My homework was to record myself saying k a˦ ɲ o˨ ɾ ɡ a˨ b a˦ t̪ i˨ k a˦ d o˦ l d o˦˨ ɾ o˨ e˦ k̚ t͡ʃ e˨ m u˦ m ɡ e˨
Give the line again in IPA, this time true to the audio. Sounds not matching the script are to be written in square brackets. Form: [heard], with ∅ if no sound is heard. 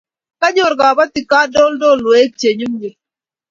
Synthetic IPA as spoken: k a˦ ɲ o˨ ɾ ɡ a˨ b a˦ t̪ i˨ k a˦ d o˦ l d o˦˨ [l] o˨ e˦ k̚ t͡ʃ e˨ [ɲ] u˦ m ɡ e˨